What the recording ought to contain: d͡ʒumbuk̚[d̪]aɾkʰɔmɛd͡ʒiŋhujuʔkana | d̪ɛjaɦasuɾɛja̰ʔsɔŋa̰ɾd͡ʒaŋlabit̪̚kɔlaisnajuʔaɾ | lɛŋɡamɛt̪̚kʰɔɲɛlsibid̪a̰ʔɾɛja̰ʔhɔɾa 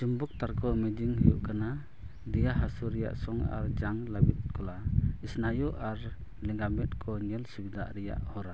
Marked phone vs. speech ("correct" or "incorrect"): incorrect